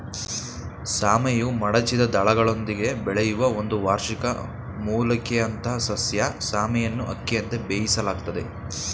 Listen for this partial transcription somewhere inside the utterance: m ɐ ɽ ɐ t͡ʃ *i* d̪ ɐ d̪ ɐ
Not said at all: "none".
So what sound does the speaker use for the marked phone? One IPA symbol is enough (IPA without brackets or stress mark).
i